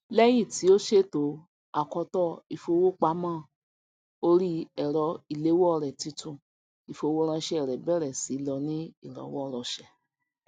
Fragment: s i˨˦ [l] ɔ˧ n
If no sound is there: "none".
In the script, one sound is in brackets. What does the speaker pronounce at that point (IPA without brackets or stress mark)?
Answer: l